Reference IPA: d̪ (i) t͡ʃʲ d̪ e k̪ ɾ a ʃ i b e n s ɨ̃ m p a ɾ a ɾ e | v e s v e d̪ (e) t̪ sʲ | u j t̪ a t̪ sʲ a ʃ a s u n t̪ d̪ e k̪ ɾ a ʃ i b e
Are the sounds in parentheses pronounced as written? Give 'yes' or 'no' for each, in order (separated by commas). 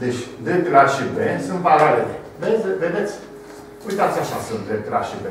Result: no, yes